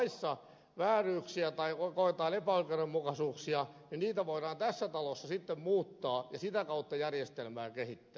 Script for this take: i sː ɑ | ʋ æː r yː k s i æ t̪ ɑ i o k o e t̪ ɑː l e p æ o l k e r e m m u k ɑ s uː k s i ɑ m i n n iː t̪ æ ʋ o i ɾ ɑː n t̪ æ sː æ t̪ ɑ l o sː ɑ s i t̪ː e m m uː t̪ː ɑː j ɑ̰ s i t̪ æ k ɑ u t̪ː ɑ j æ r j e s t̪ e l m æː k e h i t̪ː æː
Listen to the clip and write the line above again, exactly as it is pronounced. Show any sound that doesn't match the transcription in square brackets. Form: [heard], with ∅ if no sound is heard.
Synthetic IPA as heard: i sː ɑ | ʋ æː r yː k s i æ t̪ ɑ i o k o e t̪ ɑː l e p æ o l k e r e m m u k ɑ s uː k s i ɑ [n] i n n iː t̪ æ ʋ o i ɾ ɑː n t̪ æ sː æ t̪ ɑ l o sː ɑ s i t̪ː e m m uː t̪ː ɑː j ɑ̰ s i t̪ æ k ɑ u t̪ː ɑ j æ r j e s t̪ e l m æː k e h i t̪ː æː